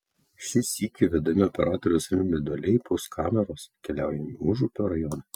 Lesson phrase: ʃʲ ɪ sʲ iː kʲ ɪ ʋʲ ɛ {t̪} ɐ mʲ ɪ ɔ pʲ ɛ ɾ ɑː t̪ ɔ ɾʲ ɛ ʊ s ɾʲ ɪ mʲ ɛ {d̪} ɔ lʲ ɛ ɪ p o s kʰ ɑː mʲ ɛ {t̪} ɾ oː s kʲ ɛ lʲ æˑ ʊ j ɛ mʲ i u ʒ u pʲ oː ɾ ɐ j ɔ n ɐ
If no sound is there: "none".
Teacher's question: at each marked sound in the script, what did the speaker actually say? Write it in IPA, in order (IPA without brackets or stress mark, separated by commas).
d̪, d̪, none